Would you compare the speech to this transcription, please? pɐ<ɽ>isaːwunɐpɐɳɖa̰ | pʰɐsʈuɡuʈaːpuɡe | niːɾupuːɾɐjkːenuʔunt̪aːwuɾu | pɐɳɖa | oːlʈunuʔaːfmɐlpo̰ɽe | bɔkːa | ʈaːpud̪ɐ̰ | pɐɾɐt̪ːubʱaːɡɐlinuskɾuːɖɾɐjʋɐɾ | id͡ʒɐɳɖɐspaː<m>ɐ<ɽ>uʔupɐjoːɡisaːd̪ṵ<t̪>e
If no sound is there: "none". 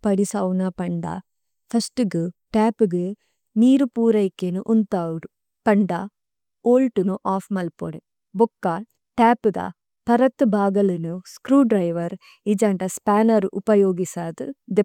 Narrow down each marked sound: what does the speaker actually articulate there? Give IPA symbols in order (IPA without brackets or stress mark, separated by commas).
ɽ, n, ɾ, d̪